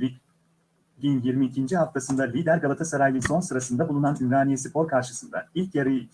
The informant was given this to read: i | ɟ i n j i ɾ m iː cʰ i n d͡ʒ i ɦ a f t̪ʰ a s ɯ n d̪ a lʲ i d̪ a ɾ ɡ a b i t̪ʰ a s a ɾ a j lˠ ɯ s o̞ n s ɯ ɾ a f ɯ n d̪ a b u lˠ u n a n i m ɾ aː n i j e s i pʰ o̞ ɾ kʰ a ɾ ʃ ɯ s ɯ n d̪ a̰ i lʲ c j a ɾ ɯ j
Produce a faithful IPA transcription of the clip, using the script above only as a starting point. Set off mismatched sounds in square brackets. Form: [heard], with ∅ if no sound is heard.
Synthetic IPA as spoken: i | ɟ i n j i ɾ m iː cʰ i n d͡ʒ i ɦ a f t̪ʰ a s ɯ n d̪ a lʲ i d̪ [æ] ɾ ɡ a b [a] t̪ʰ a s a ɾ a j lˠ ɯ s o̞ n s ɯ ɾ a [s] ɯ n d̪ a b u lˠ u n a n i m ɾ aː n i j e s i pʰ o̞ ɾ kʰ a ɾ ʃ ɯ s ɯ n d̪ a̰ i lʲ c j a ɾ ɯ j